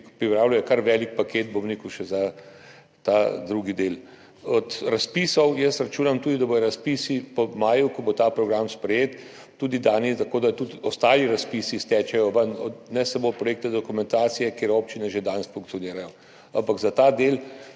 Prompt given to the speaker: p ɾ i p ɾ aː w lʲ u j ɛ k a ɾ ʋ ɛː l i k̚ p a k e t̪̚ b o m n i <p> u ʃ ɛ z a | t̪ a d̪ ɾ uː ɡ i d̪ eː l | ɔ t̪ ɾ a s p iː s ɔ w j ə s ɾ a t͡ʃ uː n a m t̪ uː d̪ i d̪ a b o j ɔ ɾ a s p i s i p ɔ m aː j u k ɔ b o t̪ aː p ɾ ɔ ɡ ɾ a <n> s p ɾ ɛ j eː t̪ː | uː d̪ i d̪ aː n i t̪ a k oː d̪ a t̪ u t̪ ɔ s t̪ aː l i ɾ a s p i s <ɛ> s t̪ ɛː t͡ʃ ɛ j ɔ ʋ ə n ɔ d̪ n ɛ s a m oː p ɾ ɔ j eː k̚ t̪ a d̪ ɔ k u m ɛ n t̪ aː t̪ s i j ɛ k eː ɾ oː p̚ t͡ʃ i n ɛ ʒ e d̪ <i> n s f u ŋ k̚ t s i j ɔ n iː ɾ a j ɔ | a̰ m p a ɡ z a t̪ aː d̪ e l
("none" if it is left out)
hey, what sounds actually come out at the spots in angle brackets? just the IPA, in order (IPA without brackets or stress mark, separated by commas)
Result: k, m, i, a